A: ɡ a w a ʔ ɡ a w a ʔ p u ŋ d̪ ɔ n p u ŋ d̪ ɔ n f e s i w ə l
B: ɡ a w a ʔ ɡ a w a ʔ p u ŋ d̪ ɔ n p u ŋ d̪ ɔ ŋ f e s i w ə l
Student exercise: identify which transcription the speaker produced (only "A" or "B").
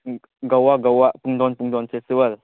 A